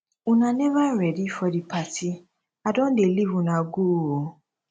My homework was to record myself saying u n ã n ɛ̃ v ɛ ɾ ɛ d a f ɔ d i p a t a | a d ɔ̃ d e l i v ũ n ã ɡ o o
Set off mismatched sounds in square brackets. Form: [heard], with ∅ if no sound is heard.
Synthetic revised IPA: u n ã n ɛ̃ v [a] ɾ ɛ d [i] f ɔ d i p a t [i] | a d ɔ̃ d e l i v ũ n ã ɡ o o